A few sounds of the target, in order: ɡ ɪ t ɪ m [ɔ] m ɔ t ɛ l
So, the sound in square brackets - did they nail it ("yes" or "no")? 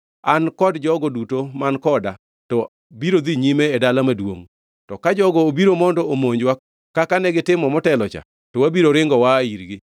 yes